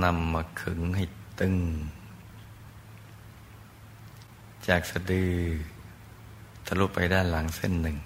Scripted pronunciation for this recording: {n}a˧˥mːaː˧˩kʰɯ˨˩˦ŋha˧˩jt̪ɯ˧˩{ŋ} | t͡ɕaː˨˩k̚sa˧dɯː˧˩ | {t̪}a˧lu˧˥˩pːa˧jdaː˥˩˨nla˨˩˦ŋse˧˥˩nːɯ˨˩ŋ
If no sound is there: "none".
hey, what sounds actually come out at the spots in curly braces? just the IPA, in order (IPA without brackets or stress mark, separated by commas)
n, ŋ, t̪ʰ